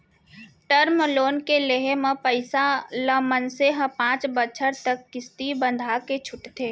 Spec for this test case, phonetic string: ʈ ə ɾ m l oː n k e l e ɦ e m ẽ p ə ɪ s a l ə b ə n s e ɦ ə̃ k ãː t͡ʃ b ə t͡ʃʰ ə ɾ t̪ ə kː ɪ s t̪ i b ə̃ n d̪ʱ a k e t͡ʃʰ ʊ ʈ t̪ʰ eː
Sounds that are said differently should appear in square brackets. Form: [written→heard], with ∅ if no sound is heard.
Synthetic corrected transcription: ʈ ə ɾ m l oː n k e l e ɦ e m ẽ p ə ɪ s a l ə [b→m] ə n s e ɦ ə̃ [k→p] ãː t͡ʃ b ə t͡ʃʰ ə ɾ t̪ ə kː ɪ s t̪ i b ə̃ n d̪ʱ a k e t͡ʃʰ ʊ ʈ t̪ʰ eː

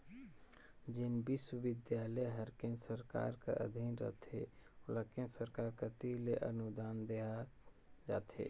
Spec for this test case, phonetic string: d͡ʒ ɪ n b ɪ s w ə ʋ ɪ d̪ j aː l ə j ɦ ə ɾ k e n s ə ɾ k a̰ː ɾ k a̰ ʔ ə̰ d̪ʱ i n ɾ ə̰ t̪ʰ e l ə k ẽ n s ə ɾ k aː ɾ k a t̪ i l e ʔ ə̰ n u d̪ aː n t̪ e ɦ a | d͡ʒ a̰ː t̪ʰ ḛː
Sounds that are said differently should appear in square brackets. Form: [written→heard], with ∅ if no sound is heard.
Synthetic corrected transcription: d͡ʒ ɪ n b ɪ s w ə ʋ ɪ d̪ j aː l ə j ɦ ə ɾ k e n s ə ɾ k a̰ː ɾ k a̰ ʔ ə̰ d̪ʱ i n ɾ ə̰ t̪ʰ e l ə k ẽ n s ə ɾ k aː ɾ k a t̪ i l e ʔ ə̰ n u d̪ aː n [t̪→d̪] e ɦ a | d͡ʒ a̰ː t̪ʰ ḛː

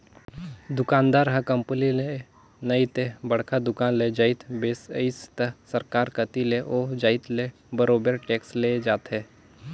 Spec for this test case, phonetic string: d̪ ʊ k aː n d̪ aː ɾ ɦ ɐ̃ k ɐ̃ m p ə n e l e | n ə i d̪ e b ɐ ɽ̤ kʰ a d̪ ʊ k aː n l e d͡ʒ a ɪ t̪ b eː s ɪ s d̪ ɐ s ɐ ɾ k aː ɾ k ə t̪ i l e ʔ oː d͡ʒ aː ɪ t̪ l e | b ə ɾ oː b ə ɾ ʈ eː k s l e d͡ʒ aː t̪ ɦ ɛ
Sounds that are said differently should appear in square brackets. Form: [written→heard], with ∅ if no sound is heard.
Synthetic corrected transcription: d̪ ʊ k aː n d̪ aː ɾ ɦ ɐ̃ k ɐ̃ m p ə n [e→i] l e | n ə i [d̪→t̪] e b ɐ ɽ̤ kʰ a d̪ ʊ k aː n l e d͡ʒ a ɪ t̪ b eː s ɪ s [d̪→t̪] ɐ s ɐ ɾ k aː ɾ k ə t̪ i l e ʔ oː d͡ʒ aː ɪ t̪ l e | b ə ɾ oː b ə ɾ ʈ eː k s l e d͡ʒ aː t̪ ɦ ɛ

